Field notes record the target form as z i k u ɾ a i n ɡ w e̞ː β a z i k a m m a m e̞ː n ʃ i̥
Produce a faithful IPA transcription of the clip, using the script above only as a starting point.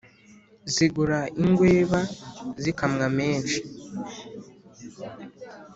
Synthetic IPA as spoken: z i ɡ u ɾ a i ŋ ɡ w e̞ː β a z i k a m ŋ a m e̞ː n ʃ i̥